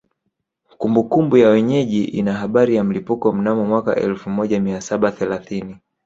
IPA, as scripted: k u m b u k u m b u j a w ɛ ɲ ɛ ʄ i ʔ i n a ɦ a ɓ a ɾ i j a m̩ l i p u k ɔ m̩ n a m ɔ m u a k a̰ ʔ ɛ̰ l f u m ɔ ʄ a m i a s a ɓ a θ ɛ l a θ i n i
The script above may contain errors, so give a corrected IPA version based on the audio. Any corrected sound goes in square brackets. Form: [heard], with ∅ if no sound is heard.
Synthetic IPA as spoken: k u m b u k u m b u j a w ɛ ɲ ɛ ʄ i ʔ i n a ɦ a ɓ a ɾ i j a m̩ l i p u k ɔ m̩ n a m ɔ m [w] a k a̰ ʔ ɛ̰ l f u m ɔ ʄ a m i a s a ɓ a θ ɛ l a θ i n i